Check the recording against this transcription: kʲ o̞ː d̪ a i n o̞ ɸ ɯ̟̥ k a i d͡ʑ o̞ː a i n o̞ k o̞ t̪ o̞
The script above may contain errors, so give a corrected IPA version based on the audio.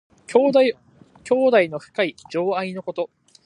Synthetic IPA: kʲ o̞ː d̪ a i n o̞ ɸ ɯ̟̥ k a i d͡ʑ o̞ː a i n o̞ k o̞ t̪ o̞